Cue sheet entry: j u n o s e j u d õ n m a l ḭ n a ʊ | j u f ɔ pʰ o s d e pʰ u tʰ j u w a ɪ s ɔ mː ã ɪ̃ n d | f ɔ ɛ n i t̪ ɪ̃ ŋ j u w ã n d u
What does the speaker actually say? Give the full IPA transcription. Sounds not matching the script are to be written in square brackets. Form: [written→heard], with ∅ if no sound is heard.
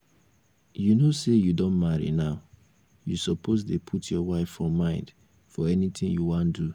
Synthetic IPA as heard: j u n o s e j u d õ n m a [l→ɹ] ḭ n a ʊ | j u [f→s] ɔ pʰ o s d e pʰ u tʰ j [u→ɔ] w a ɪ [s→f] ɔ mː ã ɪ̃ n d | f ɔ ɛ n i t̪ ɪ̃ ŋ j u w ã n d u